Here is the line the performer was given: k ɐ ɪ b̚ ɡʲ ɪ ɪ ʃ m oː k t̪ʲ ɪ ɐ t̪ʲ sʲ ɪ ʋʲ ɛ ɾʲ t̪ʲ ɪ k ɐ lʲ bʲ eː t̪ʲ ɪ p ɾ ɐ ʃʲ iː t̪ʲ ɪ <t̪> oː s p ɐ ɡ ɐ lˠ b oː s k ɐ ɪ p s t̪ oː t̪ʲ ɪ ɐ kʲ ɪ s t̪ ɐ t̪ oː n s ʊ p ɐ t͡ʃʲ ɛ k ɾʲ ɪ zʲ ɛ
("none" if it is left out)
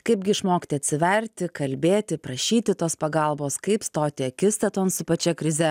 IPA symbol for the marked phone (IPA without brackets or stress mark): t̪